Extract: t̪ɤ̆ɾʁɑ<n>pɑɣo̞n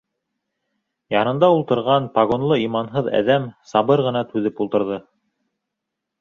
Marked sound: correct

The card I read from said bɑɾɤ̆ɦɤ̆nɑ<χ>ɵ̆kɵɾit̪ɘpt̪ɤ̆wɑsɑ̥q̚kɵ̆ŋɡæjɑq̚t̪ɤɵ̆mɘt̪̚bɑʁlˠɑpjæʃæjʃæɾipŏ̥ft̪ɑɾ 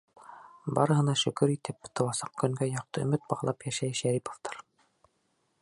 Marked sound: incorrect: ʃ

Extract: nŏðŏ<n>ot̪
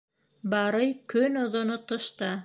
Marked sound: correct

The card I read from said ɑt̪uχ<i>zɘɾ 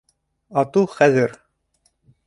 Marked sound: incorrect: æ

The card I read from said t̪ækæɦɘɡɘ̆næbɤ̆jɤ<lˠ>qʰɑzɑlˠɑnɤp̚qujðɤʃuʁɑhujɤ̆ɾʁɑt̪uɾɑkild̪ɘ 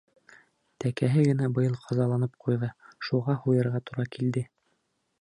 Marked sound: correct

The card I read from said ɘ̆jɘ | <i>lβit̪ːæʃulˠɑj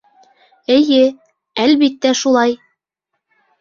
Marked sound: incorrect: æ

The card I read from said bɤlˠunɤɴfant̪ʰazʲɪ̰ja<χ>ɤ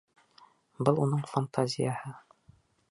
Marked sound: incorrect: h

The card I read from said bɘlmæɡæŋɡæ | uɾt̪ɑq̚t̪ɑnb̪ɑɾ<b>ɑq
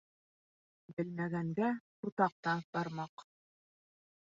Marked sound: incorrect: m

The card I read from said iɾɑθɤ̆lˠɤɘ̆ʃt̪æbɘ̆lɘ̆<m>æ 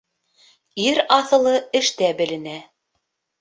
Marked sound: incorrect: n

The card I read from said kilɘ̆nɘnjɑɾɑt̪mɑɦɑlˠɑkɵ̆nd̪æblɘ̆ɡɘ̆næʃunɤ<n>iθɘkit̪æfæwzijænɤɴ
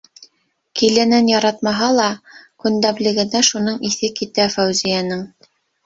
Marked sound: incorrect: ɴ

